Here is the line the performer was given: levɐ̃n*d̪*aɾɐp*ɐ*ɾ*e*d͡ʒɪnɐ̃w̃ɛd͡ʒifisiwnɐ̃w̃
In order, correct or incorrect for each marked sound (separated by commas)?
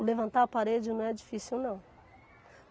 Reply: incorrect, incorrect, correct